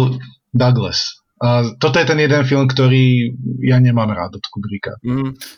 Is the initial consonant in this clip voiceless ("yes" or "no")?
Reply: no